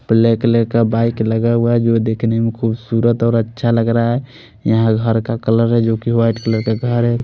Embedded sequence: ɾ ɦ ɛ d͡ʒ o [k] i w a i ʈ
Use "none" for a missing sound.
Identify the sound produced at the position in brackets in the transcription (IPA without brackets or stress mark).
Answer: k